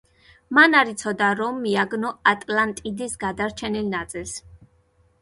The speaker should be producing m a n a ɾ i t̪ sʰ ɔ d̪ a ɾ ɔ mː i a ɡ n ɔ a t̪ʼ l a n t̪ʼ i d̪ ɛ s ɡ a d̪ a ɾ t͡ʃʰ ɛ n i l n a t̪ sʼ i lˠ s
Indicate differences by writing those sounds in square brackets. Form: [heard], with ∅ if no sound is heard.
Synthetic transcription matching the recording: m a n a ɾ i t̪ sʰ ɔ d̪ a ɾ ɔ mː i a ɡ n ɔ a t̪ʼ l a n t̪ʼ i d̪ [i] s ɡ a d̪ a ɾ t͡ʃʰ ɛ n i l n a t̪ sʼ i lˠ s